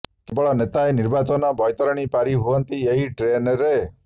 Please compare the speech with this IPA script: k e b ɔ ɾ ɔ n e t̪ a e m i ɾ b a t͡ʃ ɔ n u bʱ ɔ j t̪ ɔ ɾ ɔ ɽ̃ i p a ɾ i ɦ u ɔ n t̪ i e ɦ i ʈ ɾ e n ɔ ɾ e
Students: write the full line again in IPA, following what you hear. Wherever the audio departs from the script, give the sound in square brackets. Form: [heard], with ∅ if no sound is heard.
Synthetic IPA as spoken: k e b ɔ [ɭ] ɔ n e t̪ a e [n] i ɾ b a t͡ʃ ɔ n [ɔ] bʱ ɔ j t̪ ɔ ɾ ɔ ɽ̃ i p a ɾ i ɦ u ɔ n t̪ i e ɦ i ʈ ɾ e n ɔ ɾ e